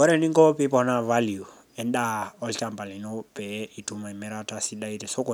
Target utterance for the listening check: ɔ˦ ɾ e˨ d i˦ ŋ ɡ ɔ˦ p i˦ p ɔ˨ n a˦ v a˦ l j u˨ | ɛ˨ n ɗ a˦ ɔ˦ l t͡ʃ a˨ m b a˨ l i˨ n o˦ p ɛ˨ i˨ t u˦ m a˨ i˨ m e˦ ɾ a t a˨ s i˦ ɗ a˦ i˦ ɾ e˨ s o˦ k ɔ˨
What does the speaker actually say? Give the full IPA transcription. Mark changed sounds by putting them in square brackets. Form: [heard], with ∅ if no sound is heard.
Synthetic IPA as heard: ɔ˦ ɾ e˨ [n] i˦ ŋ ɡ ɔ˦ p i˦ p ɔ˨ n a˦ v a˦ l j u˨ | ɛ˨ n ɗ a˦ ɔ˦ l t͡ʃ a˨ m b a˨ l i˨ n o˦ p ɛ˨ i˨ t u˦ m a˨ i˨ m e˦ ɾ a t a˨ s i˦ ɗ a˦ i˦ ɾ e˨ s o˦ k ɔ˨